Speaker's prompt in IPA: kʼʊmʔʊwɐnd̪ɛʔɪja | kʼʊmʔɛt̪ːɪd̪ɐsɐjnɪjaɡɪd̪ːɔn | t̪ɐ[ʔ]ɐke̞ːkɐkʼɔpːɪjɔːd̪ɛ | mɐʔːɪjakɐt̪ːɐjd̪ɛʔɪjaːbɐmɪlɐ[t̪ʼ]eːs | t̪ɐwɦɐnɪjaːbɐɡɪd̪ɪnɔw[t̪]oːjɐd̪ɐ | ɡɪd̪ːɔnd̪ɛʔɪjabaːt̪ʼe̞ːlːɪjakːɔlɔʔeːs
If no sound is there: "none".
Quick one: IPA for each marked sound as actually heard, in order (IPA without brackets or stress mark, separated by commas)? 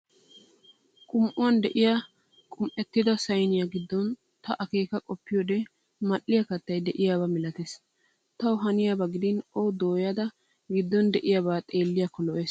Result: ʔ, t̪, d̪